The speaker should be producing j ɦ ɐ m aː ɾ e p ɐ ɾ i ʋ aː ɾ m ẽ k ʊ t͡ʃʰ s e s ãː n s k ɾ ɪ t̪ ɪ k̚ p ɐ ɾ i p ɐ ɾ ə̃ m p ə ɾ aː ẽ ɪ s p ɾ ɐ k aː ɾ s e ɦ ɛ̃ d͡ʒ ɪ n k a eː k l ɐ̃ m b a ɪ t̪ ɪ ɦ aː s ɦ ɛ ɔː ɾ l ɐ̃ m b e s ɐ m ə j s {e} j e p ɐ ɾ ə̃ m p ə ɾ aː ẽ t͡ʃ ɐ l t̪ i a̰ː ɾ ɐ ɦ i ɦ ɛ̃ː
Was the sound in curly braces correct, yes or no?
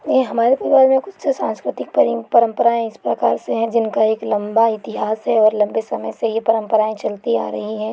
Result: yes